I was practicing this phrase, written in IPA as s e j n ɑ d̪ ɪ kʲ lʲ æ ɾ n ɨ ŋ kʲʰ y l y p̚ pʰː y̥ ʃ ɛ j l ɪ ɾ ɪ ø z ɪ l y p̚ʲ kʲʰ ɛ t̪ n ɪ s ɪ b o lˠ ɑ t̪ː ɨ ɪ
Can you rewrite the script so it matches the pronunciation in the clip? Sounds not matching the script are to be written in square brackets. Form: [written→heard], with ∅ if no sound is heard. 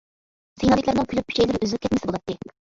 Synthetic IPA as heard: s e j n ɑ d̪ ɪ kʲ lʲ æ ɾ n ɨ ŋ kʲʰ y l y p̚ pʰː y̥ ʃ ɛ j l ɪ ɾ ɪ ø z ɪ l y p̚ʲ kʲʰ ɛ t̪ [n→m] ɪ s ɪ b o lˠ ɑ t̪ː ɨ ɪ

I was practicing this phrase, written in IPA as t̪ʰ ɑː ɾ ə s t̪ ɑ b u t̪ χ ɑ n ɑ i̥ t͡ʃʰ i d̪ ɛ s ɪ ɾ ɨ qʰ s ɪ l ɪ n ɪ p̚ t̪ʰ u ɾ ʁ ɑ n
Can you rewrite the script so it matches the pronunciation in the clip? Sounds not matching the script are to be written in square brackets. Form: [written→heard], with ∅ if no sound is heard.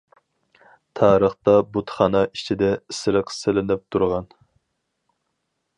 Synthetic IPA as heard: t̪ʰ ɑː ɾ ə [s→χ] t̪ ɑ b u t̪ χ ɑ n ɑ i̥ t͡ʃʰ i d̪ ɛ s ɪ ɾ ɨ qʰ s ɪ l ɪ n ɪ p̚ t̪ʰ u ɾ ʁ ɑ n

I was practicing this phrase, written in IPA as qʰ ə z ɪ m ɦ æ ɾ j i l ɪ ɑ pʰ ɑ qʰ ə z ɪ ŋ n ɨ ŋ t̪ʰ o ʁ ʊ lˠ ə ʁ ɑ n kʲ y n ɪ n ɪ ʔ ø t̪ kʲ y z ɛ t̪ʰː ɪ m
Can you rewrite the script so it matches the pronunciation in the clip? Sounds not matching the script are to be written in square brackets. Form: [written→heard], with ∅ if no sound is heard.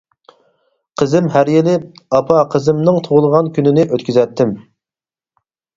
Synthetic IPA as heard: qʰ ə z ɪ m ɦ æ ɾ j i l ɪ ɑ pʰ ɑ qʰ ə z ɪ [ŋ→m] n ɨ ŋ t̪ʰ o ʁ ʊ lˠ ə ʁ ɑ n kʲ y n ɪ n ɪ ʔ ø t̪ kʲ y z ɛ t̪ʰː ɪ m

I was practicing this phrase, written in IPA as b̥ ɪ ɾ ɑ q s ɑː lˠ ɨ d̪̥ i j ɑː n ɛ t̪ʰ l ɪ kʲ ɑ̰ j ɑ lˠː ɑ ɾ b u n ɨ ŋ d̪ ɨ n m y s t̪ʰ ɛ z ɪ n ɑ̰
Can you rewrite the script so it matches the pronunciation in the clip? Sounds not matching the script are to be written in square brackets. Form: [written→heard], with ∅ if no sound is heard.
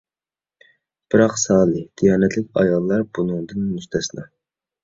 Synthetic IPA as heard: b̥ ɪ ɾ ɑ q s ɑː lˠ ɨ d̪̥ i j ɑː n ɛ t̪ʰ l ɪ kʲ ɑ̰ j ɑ lˠː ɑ ɾ b u n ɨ ŋ d̪ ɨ n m y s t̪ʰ ɛ [z→s] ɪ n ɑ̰

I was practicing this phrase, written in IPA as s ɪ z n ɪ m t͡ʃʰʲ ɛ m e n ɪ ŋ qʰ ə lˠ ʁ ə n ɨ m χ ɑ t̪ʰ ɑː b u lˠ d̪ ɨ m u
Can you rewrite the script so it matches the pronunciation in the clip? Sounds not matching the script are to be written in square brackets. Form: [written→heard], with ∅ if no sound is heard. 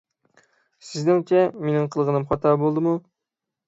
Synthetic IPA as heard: s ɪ z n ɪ [m→ŋ] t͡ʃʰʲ ɛ m e n ɪ ŋ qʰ ə lˠ ʁ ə n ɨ m χ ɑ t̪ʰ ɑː b [u→o] lˠ d̪ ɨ m u

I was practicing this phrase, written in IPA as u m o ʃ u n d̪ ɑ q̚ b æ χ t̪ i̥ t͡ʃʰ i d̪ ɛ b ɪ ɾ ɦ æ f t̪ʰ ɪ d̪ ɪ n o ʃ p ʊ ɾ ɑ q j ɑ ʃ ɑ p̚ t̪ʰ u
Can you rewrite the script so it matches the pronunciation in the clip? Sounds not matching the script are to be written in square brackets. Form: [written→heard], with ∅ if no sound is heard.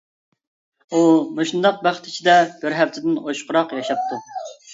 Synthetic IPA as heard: u m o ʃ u n d̪ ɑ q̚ b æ χ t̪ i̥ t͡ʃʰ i d̪ ɛ b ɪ ɾ ɦ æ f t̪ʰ ɪ d̪ ɪ n o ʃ [p→q] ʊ ɾ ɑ q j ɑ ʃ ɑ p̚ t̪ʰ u

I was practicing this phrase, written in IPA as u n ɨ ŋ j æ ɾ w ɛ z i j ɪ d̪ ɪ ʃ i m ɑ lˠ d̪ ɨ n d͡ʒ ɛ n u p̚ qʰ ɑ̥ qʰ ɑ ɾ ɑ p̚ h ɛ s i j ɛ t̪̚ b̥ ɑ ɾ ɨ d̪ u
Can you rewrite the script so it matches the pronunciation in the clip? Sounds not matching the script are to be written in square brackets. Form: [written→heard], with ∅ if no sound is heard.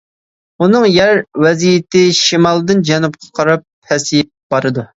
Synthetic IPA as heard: u n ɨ ŋ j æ ɾ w ɛ z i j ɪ [d̪→t̪] ɪ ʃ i m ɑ lˠ d̪ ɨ n d͡ʒ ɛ n u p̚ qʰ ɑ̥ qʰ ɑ ɾ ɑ p̚ h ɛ s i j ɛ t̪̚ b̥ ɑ ɾ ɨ d̪ u

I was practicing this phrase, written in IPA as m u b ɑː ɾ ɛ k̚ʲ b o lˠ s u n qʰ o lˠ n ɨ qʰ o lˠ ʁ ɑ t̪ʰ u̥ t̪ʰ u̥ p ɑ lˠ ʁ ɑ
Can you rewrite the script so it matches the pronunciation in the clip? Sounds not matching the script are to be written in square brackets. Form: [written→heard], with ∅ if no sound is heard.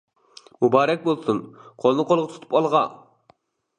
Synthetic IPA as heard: m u b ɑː ɾ ɛ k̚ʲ b o lˠ s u n qʰ o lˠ n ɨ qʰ o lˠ ʁ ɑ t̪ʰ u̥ t̪ʰ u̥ p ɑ lˠ ʁ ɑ

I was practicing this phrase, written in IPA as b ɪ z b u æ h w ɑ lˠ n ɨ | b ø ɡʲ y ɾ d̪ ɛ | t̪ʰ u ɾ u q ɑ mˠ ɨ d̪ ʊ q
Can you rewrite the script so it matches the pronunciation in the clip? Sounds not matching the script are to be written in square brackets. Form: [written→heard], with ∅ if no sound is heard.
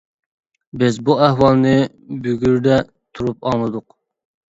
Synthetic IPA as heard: b ɪ z b u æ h w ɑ lˠ n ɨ | b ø ɡʲ y ɾ d̪ ɛ | t̪ʰ u ɾ u [q→p] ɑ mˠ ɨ d̪ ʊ q

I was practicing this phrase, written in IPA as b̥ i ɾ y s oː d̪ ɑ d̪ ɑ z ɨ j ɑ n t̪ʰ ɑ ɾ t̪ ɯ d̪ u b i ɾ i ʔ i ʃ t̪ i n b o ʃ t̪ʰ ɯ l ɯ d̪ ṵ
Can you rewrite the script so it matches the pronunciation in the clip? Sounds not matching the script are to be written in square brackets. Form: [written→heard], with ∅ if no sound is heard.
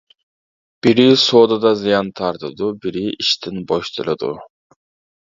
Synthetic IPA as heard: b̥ i ɾ [y→i] s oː d̪ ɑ d̪ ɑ z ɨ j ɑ n t̪ʰ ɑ ɾ t̪ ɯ d̪ u b i ɾ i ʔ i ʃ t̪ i n b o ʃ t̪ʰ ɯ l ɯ d̪ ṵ

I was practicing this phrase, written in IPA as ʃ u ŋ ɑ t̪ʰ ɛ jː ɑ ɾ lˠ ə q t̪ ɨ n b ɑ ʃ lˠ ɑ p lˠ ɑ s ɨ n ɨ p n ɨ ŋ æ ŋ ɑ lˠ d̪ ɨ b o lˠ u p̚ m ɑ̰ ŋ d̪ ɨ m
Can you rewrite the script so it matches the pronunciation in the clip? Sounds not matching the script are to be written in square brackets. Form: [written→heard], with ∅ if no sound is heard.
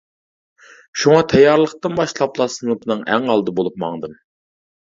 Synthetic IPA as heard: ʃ u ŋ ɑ t̪ʰ ɛ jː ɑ ɾ lˠ ə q t̪ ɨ n b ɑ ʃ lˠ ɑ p lˠ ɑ s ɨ n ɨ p n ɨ ŋ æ ŋ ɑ lˠ d̪ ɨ b o lˠ u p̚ m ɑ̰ ŋ d̪ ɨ m

